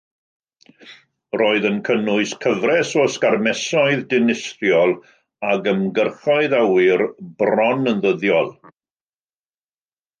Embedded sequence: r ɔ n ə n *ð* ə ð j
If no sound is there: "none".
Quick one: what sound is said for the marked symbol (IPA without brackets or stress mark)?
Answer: ð